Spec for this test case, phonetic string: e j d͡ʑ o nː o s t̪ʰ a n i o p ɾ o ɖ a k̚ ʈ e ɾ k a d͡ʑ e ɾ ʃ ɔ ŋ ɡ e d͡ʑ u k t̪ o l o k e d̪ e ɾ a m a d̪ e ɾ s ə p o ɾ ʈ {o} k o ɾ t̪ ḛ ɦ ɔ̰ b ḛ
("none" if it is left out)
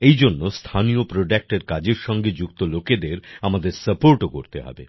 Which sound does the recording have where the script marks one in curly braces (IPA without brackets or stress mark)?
o